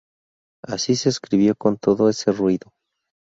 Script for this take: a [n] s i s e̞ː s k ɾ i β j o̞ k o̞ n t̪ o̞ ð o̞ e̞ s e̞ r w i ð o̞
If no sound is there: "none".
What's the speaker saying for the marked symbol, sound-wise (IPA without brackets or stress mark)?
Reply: none